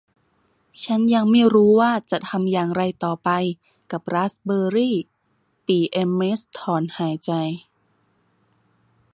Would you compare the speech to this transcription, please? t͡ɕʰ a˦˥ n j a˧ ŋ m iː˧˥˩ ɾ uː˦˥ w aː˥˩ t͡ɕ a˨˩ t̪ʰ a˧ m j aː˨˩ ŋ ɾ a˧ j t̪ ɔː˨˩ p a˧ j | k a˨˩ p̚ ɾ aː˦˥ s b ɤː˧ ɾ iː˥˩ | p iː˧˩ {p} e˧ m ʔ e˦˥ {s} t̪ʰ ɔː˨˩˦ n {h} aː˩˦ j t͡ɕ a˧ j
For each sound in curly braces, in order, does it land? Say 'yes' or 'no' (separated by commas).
no, yes, yes